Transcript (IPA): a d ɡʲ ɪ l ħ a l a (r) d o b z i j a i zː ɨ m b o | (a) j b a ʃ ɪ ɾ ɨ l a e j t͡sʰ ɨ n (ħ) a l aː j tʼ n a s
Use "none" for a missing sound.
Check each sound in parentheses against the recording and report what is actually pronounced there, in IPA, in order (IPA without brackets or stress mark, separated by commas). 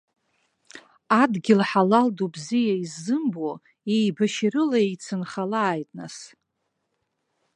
l, e, χ